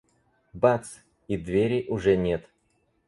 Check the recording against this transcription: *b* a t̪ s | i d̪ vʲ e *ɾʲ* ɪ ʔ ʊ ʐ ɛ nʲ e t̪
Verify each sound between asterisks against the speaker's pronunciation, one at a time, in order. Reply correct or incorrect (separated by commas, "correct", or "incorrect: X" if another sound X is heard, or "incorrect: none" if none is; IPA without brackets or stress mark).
correct, correct